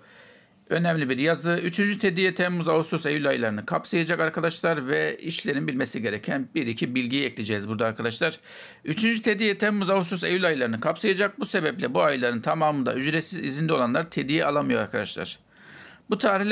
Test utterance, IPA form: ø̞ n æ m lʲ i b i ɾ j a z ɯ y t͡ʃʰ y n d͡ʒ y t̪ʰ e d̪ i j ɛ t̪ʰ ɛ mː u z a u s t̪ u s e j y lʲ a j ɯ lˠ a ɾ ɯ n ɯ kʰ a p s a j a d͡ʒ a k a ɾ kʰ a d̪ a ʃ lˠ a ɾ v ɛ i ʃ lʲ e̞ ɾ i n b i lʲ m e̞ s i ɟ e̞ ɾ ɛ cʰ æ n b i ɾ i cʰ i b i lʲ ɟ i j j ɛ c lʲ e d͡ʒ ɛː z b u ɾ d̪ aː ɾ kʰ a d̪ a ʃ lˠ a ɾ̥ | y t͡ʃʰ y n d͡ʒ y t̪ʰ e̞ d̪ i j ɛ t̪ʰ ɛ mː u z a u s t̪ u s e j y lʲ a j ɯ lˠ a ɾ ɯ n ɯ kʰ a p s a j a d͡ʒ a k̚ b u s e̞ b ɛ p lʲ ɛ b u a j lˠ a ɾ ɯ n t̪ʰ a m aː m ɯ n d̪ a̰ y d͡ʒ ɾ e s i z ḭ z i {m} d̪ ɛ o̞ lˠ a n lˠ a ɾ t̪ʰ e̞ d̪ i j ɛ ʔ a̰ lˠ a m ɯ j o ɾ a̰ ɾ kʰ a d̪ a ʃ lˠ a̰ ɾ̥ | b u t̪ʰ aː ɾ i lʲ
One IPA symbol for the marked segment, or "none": n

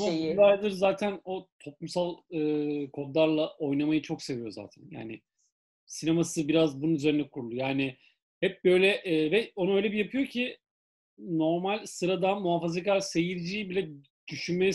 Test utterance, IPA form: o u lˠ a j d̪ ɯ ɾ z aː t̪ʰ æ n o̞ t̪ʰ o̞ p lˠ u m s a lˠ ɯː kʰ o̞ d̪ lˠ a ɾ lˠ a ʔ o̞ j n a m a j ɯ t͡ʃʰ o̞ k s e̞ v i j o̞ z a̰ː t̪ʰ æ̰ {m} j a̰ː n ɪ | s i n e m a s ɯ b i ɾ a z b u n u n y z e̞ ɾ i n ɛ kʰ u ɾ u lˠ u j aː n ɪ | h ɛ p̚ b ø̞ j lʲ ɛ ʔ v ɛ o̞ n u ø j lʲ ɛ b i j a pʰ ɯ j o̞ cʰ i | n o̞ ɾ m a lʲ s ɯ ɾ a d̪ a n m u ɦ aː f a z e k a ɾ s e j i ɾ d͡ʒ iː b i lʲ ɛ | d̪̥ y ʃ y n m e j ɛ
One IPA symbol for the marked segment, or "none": n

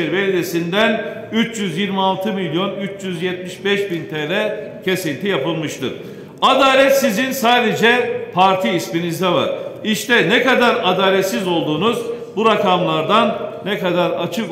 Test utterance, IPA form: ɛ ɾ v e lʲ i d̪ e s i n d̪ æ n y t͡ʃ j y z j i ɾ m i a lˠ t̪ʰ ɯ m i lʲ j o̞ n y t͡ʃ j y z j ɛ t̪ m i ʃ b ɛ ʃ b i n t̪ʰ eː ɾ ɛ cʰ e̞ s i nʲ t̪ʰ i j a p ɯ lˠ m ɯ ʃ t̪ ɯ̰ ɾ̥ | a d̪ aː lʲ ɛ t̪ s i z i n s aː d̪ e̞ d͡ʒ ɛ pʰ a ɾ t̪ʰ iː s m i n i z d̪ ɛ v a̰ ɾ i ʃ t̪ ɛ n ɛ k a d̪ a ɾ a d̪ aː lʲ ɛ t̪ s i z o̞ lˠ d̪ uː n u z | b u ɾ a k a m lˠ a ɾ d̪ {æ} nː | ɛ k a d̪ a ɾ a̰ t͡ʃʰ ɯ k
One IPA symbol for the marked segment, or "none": a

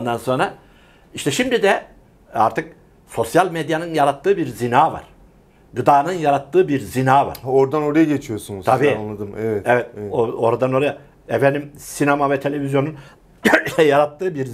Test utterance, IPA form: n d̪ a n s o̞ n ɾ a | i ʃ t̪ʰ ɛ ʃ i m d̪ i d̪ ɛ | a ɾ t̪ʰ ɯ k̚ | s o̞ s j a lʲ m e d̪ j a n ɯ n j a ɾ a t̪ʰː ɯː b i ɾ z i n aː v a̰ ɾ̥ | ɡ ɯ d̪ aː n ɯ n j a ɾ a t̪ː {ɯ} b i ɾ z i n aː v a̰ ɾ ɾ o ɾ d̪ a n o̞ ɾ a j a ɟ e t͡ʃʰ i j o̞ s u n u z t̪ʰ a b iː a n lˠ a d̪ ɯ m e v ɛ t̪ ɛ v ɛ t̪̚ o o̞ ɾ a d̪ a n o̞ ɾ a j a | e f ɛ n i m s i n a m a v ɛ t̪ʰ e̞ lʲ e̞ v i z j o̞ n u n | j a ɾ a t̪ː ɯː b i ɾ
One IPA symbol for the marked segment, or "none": ɯː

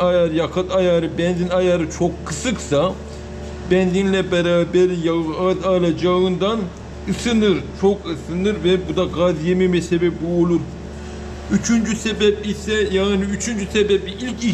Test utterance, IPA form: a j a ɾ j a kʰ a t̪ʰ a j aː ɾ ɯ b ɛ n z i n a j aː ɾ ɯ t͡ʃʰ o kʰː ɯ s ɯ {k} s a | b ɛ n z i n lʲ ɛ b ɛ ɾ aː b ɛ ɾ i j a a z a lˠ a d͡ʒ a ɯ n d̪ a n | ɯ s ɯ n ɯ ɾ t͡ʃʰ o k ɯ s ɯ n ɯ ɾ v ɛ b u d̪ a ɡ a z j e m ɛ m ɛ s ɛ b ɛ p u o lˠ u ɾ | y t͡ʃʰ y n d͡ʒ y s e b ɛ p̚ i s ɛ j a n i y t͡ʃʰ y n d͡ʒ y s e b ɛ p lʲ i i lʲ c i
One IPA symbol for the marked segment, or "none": k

